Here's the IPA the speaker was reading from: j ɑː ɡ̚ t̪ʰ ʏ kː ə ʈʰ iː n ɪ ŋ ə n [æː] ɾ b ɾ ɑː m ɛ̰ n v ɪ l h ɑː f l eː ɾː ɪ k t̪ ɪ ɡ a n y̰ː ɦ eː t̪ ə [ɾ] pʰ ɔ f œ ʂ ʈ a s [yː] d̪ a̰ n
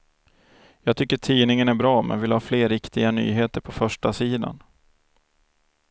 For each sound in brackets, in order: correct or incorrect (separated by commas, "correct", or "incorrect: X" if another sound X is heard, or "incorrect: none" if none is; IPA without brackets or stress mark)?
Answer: incorrect: æ, correct, incorrect: iː